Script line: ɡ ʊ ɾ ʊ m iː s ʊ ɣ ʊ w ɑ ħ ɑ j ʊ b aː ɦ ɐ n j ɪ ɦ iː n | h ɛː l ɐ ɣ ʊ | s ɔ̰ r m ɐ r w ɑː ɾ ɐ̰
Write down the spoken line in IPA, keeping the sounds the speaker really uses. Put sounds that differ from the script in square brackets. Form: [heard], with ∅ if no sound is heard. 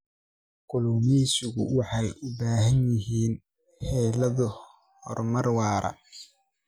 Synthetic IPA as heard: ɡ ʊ [l] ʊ m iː s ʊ ɣ ʊ w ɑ ħ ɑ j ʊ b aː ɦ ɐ n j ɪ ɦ iː n | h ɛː l ɐ [ð] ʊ | [h] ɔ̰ r m ɐ r w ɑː ɾ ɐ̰

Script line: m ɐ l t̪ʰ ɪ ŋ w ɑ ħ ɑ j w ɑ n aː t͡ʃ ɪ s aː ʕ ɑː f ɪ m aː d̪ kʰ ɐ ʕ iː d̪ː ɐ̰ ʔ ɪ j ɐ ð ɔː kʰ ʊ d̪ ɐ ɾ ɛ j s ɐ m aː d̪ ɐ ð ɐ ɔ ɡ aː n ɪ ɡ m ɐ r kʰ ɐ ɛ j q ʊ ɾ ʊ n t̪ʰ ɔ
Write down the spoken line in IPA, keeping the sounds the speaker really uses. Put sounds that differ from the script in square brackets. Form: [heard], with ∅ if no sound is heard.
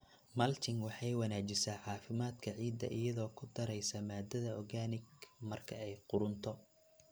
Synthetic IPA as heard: m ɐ l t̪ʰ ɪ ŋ w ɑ ħ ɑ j w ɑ n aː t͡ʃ ɪ s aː ʕ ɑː f ɪ m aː d̪ kʰ ɐ ʕ iː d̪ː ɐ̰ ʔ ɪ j ɐ ð ɔː kʰ ʊ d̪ ɐ ɾ ɛ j s ɐ m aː d̪ ɐ ð ɐ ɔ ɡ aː n ɪ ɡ m ɐ r kʰ ɐ ɛ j q ʊ ɾ ʊ n t̪ʰ ɔ

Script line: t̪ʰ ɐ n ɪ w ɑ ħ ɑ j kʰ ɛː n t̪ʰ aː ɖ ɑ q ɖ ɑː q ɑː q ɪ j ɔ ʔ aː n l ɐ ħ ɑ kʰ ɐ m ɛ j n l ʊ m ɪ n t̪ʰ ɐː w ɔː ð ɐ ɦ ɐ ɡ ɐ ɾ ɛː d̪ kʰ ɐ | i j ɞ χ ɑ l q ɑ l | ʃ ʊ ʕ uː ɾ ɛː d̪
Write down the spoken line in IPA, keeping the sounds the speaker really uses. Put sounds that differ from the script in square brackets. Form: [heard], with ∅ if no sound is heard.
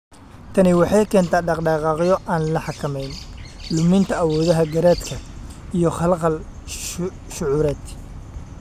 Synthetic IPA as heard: t̪ʰ ɐ n ɪ w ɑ ħ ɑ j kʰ ɛː n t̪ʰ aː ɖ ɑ q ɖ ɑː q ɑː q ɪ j ɔ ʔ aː n l ɐ ħ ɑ kʰ ɐ m ɛ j n l ʊ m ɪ n t̪ʰ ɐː w ɔː ð ɐ ɦ ɐ ɡ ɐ ɾ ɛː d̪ kʰ ɐ | i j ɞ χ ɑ l q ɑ l | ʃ ʊ ʕ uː ɾ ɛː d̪

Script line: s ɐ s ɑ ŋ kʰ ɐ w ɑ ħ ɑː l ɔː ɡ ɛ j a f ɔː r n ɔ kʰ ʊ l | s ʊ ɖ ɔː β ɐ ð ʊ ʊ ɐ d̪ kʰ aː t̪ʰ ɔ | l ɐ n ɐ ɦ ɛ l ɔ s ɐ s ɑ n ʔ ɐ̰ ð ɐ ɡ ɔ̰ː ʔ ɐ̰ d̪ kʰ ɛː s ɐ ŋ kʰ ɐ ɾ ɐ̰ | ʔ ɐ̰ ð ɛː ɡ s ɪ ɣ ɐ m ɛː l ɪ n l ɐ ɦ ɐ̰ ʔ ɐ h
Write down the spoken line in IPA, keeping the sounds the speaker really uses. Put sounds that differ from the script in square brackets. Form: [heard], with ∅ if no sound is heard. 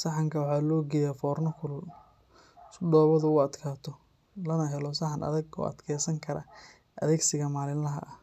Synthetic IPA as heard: s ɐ [ħ] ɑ ŋ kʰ ɐ w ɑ ħ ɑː l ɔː ɡ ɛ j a f ɔː r n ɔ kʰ ʊ l | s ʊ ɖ ɔː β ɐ ð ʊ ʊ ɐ d̪ kʰ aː t̪ʰ ɔ | l ɐ n ɐ ɦ ɛ l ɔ s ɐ [ħ] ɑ n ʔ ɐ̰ ð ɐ ɡ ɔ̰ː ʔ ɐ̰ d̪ kʰ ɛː s ɐ ŋ kʰ ɐ ɾ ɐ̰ | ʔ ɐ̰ ð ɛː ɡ s ɪ ɣ ɐ m [aː] l ɪ n l ɐ ɦ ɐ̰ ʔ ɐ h

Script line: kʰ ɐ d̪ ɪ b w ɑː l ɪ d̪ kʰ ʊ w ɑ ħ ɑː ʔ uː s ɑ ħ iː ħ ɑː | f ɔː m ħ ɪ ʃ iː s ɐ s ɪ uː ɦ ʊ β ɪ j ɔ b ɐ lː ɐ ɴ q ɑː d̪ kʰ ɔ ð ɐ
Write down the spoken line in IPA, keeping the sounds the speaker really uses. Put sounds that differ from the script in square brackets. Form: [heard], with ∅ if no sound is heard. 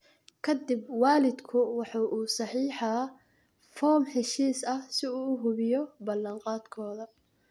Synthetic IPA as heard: kʰ ɐ d̪ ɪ b w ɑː l ɪ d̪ kʰ ʊ w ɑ ħ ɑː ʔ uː s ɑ ħ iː ħ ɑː | f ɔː m ħ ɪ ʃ iː s ɐ s ɪ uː ɦ ʊ β ɪ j ɔ b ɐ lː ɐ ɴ q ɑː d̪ kʰ [ɔː] ð ɐ

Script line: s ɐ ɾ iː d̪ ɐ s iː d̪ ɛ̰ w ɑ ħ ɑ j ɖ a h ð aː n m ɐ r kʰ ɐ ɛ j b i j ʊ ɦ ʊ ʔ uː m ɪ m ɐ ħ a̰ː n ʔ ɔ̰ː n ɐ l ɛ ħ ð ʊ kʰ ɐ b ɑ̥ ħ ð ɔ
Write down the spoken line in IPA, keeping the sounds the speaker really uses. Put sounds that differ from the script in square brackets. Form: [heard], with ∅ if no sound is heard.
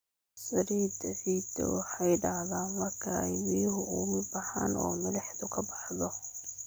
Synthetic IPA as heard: s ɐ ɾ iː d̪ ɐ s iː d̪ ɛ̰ w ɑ ħ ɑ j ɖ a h ð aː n m ɐ r kʰ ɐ ɛ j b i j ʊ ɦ ʊ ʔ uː m ɪ [b] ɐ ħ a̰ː n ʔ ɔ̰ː [m] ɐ l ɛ ħ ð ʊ kʰ ɐ b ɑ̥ ħ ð ɔ

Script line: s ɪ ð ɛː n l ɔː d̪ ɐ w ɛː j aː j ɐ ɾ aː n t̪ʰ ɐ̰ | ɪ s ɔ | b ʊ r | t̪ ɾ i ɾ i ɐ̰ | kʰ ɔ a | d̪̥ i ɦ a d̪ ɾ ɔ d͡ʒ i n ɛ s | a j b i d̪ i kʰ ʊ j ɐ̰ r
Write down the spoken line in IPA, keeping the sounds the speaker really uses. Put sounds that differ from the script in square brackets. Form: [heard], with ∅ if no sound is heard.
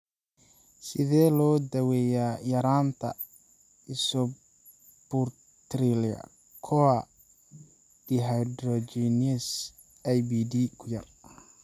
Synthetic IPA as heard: s ɪ ð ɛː [∅] l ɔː d̪ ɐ w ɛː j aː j ɐ ɾ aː n t̪ʰ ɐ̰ | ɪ s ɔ | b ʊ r | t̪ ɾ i [l] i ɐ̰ | kʰ ɔ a | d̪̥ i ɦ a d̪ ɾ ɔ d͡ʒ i n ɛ s | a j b i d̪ i kʰ ʊ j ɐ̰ r

